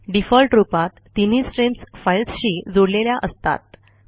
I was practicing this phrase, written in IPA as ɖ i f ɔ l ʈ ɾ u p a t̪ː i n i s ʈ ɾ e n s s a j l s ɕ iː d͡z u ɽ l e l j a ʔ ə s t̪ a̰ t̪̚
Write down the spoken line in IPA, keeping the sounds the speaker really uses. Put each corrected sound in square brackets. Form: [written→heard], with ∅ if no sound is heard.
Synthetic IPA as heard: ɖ i f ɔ l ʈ ɾ u p a t̪ː i n i s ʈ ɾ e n s [s→f] a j l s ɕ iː d͡z [u→o] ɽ l e l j a ʔ ə s t̪ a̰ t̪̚